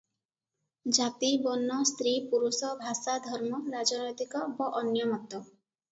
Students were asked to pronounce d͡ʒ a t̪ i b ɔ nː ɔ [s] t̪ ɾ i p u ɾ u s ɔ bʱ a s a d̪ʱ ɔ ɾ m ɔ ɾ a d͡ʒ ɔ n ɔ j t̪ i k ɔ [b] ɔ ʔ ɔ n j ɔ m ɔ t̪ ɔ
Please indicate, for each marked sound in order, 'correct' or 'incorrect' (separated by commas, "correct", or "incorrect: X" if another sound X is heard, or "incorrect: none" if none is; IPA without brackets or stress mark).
correct, correct